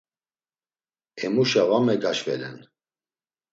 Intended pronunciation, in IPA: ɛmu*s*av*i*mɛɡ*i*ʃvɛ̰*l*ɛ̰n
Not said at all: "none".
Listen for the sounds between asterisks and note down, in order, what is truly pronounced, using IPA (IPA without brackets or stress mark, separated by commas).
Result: ʃ, a, a, l